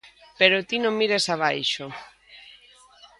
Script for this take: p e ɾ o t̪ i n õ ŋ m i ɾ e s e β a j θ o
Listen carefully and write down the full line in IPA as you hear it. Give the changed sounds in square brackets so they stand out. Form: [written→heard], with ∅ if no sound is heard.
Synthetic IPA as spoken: p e ɾ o t̪ i n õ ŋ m i ɾ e s [e→a] β a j [θ→ʃ] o